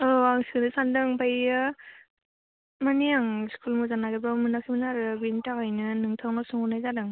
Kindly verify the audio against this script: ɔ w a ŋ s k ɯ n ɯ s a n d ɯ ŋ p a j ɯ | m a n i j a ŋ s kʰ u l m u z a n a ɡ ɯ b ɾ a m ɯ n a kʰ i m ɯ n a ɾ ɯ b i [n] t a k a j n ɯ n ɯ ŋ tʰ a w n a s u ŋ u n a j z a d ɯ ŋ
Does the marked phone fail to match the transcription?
no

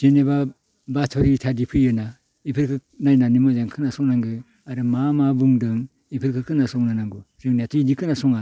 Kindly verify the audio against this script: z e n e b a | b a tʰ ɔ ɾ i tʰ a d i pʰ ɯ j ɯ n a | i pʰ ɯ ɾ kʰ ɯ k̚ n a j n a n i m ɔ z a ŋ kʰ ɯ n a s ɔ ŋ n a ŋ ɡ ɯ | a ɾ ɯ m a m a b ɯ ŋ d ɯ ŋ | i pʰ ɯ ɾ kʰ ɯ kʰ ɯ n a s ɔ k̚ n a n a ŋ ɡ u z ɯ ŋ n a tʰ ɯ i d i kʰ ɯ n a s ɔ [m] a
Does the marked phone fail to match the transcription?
yes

